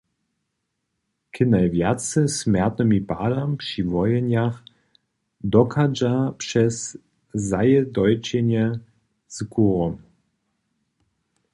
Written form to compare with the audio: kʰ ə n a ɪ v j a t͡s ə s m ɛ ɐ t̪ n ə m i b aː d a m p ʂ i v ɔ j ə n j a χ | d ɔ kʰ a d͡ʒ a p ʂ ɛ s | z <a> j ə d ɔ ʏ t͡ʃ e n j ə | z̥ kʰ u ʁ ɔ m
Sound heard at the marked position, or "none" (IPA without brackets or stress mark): a